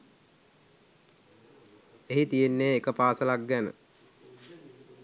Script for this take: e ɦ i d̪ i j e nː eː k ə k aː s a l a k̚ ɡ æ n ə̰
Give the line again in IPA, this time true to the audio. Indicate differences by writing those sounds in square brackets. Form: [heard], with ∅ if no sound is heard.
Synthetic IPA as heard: e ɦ i [t̪] i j e nː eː k ə [p] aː s [ə] l a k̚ ɡ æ n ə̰